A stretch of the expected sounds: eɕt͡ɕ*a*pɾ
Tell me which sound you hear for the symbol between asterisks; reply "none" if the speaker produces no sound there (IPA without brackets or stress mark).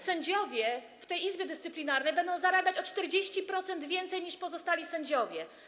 i